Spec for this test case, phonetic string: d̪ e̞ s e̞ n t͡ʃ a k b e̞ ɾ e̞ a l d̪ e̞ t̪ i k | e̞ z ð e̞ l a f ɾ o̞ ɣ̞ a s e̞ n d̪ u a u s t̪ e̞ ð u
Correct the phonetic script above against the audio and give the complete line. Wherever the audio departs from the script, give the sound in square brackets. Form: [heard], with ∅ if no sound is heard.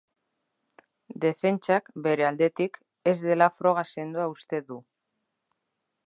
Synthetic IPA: d̪ e̞ [f] e̞ n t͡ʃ a k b e̞ ɾ e̞ a l d̪ e̞ t̪ i k | e̞ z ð e̞ l a f ɾ o̞ ɣ̞ a s e̞ n d̪ u a u s t̪ e̞ ð u

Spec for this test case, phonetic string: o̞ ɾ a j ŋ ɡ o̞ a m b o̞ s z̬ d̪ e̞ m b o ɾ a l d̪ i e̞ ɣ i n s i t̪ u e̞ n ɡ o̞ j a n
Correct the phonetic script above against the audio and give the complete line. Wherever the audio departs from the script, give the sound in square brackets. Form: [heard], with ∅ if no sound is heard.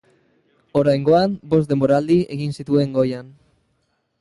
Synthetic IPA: o̞ ɾ a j ŋ ɡ o̞ a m b o̞ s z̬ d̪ e̞ m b o ɾ a l d̪ i e̞ ɣ i n s i t̪ u e̞ [ŋ] ɡ o̞ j a n

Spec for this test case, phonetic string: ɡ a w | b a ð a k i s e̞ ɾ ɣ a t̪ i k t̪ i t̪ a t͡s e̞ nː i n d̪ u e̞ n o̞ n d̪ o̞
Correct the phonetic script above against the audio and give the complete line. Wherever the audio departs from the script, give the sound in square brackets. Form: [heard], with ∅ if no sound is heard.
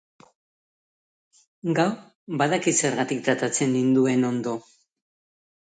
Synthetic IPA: ɡ a w | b a ð a k i s e̞ ɾ ɣ a t̪ i k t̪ [a] t̪ a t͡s e̞ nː i n d̪ u e̞ n o̞ n d̪ o̞

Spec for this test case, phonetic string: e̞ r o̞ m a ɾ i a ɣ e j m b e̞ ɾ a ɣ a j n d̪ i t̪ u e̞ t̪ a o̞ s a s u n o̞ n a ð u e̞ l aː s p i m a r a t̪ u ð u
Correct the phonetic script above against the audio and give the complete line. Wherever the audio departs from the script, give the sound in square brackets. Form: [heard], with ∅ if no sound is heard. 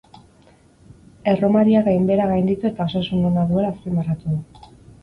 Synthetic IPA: e̞ r o̞ m a ɾ i a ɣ [a] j m b e̞ ɾ a ɣ a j n d̪ i t̪ u e̞ t̪ a o̞ s a s u n o̞ n a ð u e̞ l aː s p i m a r a t̪ u ð u

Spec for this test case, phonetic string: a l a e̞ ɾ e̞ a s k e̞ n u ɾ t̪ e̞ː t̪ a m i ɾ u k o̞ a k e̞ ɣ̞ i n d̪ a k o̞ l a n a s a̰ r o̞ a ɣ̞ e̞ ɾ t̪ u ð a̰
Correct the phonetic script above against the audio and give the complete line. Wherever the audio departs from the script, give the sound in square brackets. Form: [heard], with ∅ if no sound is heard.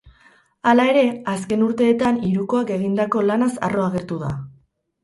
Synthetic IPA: a l a e̞ ɾ e̞ a s k e̞ n u ɾ t̪ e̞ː t̪ a [n] i ɾ u k o̞ a k e̞ ɣ̞ i n d̪ a k o̞ l a n a s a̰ r o̞ a ɣ̞ e̞ ɾ t̪ u ð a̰

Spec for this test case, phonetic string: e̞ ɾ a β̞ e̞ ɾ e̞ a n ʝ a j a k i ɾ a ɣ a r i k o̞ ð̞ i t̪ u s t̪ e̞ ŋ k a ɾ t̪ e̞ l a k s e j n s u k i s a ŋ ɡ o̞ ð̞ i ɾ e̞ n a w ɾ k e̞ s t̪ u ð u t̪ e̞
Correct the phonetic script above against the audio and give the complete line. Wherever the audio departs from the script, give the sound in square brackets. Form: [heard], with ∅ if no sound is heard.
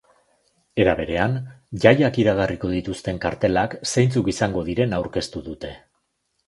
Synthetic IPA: e̞ ɾ a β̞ e̞ ɾ e̞ a n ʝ a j a k i ɾ a ɣ a r i k o̞ ð̞ i t̪ u s t̪ e̞ ŋ k a ɾ t̪ e̞ l a k s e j n [t͡s] u k i s a ŋ ɡ o̞ ð̞ i ɾ e̞ n a w ɾ k e̞ s t̪ u ð u t̪ e̞

